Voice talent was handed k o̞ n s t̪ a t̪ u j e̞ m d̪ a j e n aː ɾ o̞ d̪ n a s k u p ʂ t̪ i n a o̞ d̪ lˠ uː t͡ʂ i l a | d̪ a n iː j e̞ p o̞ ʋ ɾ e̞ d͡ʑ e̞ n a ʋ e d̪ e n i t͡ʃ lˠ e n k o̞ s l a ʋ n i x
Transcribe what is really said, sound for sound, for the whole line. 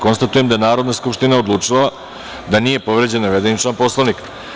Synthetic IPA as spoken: k o̞ n s t̪ a t̪ u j e̞ m d̪ a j e n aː ɾ o̞ d̪ n a s k u p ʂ t̪ i n a o̞ d̪ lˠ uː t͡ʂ i l a | d̪ a n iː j e̞ p o̞ ʋ ɾ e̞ d͡ʑ e̞ n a ʋ e d̪ e n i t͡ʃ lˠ a n p o̞ s l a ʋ n i k